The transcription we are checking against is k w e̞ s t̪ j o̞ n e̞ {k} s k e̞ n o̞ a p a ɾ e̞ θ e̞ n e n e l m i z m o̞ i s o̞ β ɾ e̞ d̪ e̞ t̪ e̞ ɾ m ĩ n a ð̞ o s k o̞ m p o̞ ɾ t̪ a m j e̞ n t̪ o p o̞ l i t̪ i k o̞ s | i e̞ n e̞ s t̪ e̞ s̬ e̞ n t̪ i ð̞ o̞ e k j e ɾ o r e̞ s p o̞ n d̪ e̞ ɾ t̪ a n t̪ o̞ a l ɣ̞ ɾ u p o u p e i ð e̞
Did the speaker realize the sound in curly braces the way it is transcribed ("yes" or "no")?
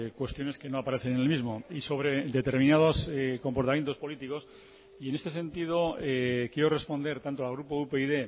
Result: no